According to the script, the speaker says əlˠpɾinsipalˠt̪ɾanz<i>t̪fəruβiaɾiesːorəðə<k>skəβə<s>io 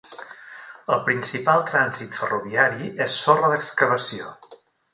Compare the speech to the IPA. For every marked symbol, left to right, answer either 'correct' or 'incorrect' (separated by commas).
correct, correct, correct